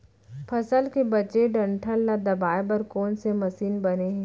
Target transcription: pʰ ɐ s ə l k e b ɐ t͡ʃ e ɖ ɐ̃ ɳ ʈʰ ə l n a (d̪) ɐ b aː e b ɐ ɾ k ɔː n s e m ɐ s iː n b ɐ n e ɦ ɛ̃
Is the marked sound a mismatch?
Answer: no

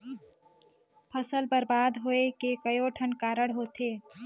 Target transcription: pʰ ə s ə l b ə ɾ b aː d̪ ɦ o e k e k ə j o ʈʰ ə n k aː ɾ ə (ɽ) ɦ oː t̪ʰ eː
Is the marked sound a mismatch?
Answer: no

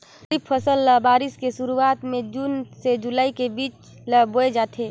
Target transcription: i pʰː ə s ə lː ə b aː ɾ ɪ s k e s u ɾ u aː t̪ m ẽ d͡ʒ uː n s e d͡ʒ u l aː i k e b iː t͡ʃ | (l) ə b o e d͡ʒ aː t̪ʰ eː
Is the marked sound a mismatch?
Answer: no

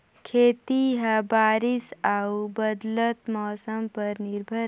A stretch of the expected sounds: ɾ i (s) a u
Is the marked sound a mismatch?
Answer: no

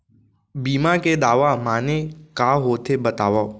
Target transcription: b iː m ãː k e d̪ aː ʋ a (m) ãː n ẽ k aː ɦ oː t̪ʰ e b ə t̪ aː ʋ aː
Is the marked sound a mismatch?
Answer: no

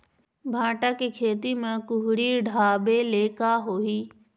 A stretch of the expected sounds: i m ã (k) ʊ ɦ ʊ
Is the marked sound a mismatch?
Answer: no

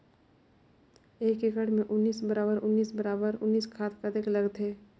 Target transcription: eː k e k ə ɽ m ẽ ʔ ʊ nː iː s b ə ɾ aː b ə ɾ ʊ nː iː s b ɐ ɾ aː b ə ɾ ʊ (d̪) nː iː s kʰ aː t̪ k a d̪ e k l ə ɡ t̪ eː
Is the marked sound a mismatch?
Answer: yes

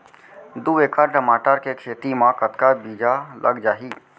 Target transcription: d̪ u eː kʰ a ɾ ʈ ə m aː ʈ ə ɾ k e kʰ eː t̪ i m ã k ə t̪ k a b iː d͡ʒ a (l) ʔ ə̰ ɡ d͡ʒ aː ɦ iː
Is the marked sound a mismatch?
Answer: no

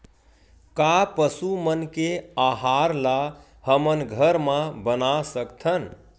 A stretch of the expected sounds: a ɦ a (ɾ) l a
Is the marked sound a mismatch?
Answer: no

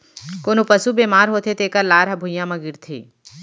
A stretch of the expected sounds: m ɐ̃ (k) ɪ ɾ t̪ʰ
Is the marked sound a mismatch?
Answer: yes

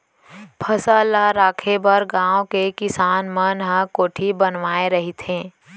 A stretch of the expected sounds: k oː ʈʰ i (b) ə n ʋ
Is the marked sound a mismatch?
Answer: no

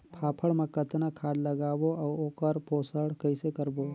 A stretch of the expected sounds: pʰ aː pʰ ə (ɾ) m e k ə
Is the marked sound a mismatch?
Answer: yes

